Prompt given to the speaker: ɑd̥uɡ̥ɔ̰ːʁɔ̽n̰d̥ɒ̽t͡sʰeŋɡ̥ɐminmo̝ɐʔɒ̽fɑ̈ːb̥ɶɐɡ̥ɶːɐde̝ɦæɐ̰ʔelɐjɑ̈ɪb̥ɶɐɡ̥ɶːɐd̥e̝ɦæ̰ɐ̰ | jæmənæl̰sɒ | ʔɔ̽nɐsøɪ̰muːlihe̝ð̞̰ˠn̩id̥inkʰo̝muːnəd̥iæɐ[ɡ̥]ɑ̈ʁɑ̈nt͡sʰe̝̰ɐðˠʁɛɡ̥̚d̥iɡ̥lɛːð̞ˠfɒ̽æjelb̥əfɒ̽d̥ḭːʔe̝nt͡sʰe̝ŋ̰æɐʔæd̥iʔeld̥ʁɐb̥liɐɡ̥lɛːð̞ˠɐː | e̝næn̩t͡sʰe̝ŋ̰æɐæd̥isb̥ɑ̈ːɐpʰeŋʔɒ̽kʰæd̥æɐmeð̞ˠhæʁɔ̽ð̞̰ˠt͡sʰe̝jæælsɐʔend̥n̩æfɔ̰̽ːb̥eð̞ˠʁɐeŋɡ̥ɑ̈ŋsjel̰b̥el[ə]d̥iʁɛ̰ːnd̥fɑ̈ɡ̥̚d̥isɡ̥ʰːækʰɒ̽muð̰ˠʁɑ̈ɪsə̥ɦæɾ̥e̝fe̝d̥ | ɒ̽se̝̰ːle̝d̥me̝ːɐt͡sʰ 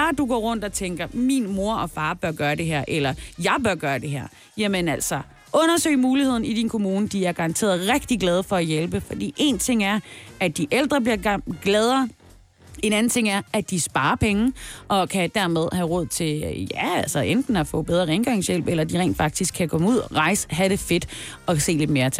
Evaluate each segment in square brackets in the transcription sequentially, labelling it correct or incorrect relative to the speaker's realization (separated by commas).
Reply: correct, incorrect